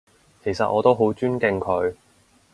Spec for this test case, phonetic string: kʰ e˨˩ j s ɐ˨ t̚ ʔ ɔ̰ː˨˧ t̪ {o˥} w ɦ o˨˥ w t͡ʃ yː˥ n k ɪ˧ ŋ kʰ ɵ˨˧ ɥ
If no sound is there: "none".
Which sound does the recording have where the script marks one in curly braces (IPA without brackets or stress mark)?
o˥